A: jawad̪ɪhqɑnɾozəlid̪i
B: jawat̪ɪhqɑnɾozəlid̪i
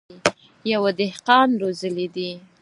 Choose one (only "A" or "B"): A